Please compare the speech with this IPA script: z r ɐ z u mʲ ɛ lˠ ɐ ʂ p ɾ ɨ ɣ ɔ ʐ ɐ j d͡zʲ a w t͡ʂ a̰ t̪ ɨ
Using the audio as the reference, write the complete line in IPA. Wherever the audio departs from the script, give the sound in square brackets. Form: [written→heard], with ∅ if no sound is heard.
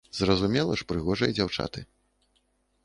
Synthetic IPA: z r ɐ z u mʲ ɛ lˠ ɐ ʂ p ɾ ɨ ɣ ɔ ʐ ɐ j d͡zʲ a w t͡ʂ a̰ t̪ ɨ